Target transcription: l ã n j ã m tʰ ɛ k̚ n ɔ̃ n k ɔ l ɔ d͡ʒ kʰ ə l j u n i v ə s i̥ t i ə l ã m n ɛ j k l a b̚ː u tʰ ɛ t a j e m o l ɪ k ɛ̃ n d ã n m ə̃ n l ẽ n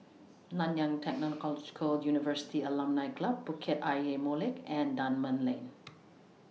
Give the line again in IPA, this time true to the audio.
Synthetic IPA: l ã n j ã ŋ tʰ ɛ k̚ n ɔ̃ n k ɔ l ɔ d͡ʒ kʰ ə l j u n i v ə s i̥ t i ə l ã m n a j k l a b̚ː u kʰ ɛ t a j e m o l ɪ k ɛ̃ n d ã n m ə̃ n l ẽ n